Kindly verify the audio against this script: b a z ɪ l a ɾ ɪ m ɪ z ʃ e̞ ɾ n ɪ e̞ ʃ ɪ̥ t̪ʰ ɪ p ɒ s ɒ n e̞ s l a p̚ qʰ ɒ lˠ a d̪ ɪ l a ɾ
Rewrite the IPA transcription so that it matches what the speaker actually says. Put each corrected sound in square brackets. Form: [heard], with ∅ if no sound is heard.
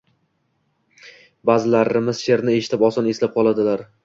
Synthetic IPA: b a z ɪ l a ɾ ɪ m ɪ z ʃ e̞ ɾ n ɪ e̞ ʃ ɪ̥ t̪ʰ ɪ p ɒ s ɒ n e̞ s l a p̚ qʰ ɒ lˠ a d̪ ɪ l a ɾ